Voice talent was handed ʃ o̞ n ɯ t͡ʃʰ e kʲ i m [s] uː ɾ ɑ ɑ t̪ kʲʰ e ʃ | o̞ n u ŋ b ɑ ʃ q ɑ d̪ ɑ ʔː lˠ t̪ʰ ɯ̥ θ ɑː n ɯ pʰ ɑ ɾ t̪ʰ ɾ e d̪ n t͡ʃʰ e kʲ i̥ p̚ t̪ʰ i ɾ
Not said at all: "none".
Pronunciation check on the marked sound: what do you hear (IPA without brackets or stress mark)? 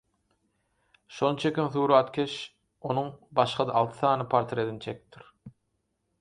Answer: θ